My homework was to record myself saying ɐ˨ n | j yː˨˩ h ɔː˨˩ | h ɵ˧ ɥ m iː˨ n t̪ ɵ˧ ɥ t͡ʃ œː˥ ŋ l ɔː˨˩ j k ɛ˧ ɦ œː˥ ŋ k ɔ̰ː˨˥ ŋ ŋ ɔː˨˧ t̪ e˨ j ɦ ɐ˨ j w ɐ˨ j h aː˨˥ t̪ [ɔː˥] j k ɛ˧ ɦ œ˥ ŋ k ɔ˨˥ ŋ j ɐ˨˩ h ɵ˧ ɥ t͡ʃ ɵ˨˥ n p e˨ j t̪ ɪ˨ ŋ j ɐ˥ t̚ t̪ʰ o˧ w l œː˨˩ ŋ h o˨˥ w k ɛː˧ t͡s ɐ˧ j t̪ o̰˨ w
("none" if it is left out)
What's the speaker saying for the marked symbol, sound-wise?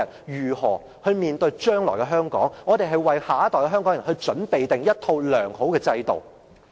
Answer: ɔː˨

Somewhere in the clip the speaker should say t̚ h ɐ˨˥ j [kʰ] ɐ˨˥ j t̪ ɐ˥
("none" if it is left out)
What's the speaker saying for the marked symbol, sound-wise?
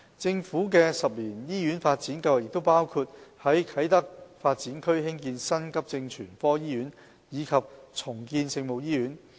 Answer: kʰ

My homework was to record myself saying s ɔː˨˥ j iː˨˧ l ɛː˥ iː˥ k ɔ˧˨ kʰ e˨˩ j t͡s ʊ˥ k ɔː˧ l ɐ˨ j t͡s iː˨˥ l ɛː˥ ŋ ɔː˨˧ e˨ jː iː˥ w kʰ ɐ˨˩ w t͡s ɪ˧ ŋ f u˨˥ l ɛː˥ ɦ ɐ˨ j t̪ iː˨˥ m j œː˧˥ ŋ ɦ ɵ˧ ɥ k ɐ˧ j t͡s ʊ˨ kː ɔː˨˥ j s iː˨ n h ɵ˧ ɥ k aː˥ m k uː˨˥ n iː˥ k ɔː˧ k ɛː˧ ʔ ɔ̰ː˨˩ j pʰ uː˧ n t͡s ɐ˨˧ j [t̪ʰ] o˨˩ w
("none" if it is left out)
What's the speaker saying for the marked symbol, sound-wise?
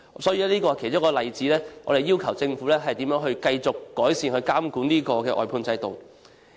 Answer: t̪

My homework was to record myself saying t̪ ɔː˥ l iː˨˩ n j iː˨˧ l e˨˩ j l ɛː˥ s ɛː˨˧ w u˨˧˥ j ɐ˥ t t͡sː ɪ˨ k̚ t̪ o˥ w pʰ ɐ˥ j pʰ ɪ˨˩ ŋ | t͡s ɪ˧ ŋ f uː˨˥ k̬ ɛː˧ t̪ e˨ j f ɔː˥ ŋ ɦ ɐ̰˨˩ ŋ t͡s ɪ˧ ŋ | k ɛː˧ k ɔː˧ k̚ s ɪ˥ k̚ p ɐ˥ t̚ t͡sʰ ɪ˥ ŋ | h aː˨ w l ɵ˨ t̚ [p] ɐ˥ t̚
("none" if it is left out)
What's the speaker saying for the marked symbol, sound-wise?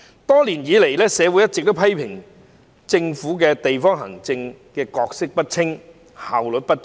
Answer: p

